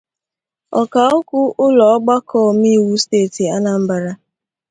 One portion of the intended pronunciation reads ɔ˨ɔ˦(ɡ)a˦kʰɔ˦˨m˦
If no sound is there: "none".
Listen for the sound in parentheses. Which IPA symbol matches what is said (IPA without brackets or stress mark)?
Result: ɡ͡b